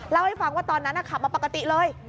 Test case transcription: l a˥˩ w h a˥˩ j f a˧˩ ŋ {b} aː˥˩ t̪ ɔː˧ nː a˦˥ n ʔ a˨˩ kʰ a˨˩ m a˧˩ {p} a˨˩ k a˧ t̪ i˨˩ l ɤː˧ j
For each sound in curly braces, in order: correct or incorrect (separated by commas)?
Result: incorrect, correct